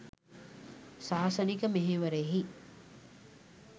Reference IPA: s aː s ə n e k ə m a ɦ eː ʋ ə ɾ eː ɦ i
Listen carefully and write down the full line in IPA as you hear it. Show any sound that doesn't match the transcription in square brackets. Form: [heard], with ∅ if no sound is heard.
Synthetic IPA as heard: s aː s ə n [i] k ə m [e] ɦ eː ʋ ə ɾ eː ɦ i